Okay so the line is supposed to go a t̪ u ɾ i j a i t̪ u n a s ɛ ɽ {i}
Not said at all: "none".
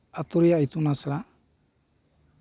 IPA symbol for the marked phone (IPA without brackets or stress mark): a